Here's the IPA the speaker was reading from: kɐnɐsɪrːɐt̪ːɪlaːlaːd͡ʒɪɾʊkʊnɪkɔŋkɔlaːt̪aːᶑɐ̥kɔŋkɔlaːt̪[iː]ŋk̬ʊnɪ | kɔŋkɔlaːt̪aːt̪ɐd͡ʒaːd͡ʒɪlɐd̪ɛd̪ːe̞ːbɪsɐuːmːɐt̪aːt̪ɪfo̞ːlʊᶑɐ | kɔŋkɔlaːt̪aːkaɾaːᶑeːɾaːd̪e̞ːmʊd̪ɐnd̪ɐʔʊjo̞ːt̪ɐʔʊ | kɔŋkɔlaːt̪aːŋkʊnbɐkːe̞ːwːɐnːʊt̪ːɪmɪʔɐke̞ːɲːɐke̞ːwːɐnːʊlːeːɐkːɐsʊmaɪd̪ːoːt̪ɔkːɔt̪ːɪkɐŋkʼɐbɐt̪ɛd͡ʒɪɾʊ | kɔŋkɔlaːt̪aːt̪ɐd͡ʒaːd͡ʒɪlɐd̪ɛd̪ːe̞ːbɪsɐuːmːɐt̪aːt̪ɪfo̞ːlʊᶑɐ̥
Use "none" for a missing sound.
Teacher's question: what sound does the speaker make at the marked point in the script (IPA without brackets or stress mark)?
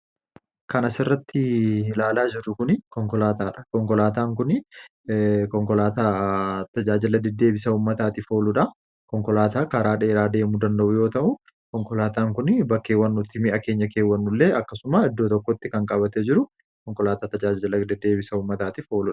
aː